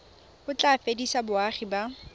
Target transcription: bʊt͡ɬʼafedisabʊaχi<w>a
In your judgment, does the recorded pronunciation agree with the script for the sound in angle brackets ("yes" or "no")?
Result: no